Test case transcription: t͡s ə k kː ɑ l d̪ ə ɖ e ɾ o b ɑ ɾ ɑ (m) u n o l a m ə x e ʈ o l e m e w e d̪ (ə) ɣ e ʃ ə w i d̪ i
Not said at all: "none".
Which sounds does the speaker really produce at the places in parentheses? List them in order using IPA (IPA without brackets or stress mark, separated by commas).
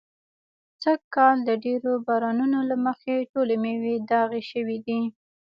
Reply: n, ɑ